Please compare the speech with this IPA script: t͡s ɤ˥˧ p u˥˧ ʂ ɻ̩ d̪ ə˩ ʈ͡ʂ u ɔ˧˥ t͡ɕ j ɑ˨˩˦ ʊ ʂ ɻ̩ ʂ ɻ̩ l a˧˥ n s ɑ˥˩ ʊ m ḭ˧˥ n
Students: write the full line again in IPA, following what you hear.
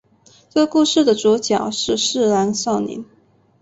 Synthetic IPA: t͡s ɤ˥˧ k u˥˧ ʂ ɻ̩ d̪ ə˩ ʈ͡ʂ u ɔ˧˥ t͡ɕ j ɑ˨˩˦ ʊ ʂ ɻ̩ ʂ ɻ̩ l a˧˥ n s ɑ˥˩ ʊ n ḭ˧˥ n